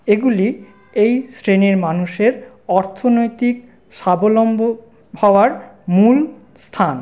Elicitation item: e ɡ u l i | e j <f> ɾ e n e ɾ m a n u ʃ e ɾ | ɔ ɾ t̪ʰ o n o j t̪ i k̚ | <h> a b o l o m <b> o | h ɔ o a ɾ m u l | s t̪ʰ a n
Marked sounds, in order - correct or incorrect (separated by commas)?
incorrect, incorrect, correct